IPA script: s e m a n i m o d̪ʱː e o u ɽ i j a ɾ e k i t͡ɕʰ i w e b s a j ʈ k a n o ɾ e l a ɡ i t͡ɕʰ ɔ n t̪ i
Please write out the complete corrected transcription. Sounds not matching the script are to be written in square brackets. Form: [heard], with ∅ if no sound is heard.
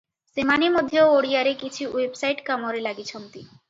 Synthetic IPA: s e m a n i m o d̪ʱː e o [o] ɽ i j a ɾ e k i t͡ɕʰ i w e b s a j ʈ k a [m] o ɾ e l a ɡ i t͡ɕʰ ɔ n t̪ i

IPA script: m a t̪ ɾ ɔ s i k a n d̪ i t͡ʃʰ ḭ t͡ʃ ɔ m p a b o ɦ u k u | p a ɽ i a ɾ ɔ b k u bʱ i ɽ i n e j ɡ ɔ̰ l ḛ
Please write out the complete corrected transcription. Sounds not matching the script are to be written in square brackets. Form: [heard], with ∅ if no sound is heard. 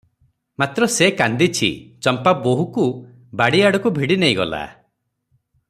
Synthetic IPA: m a t̪ ɾ ɔ s [e] k a n d̪ i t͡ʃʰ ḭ t͡ʃ ɔ m p a b o ɦ u k u | [b] a ɽ i a [ɽ] ɔ [∅] k u bʱ i ɽ i n e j ɡ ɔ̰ l [a̰]

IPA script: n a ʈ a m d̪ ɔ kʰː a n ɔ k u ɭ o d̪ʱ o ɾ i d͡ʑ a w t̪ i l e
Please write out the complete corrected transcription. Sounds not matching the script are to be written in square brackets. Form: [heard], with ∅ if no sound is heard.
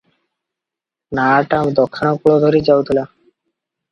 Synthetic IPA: n a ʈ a m d̪ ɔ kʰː a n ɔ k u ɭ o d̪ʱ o ɾ i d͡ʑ a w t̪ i l [a]

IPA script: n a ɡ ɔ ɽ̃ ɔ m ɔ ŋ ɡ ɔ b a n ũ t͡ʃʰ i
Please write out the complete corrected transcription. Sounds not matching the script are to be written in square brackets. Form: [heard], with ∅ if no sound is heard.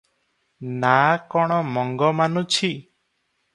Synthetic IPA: n a [k] ɔ ɽ̃ ɔ m ɔ ŋ ɡ ɔ [m] a n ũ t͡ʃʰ i

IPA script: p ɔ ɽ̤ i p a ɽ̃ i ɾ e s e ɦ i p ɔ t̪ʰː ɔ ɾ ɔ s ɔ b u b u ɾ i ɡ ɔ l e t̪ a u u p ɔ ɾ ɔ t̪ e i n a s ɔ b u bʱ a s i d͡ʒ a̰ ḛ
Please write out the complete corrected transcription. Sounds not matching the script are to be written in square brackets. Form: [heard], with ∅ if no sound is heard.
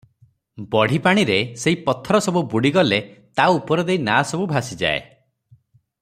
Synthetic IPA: [b] ɔ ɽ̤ i p a ɽ̃ i ɾ e s e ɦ i p ɔ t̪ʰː ɔ ɾ ɔ s ɔ b u b u [ɽ] i ɡ ɔ l e t̪ a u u p ɔ ɾ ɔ [d̪] e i n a s ɔ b u bʱ a s i d͡ʒ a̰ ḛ

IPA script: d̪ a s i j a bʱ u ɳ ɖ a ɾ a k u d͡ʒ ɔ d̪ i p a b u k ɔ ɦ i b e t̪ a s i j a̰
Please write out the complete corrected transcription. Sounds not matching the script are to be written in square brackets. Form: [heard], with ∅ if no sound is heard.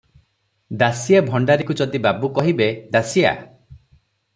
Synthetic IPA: d̪ a s i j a bʱ [ɔ] ɳ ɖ a ɾ [i] k u d͡ʒ ɔ d̪ i [b] a b u k ɔ ɦ i b e [d̪] a s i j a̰

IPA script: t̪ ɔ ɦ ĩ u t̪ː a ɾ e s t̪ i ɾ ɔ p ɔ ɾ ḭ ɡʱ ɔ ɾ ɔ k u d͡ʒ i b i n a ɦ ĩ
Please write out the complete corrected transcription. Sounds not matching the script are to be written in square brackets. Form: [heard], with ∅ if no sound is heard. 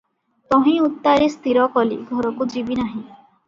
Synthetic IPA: t̪ ɔ ɦ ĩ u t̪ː a ɾ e s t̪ i ɾ ɔ [k] ɔ [l] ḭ ɡʱ ɔ ɾ ɔ k u d͡ʒ i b i n a ɦ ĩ

